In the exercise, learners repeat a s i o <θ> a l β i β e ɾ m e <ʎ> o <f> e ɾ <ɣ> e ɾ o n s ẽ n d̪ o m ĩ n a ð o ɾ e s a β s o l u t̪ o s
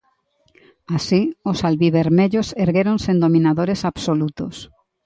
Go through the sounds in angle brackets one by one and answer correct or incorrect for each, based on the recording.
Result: incorrect, correct, incorrect, correct

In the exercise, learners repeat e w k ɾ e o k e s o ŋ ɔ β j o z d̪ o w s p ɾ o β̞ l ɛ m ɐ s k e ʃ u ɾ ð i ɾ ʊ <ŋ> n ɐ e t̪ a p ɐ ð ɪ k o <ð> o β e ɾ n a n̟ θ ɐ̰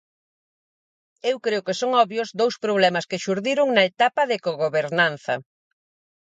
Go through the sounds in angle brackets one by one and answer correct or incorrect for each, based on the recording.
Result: correct, incorrect

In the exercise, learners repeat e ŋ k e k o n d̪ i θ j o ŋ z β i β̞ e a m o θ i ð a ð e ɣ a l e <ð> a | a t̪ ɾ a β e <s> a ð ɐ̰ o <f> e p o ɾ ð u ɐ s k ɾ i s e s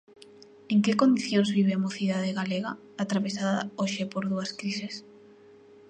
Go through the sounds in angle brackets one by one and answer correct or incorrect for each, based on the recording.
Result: incorrect, correct, incorrect

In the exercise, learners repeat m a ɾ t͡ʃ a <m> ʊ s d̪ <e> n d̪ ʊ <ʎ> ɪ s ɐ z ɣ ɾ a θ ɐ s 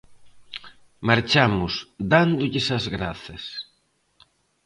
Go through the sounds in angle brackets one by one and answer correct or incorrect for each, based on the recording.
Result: correct, incorrect, correct

